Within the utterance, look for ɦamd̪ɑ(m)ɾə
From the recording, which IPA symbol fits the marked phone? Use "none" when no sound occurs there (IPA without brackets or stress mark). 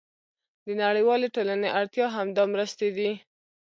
m